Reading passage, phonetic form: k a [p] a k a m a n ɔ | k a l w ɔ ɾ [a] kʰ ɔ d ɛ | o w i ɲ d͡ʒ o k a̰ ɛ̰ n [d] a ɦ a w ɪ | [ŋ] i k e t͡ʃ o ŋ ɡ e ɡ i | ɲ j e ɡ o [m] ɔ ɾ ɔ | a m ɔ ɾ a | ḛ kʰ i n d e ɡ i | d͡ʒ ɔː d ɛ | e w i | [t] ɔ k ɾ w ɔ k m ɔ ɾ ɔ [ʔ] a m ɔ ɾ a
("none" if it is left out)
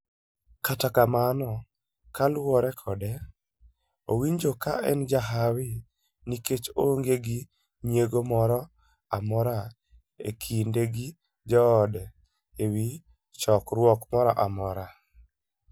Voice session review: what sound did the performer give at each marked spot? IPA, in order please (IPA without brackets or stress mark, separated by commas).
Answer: t, ɛ, d͡ʒ, n, m, t͡ʃ, ʔ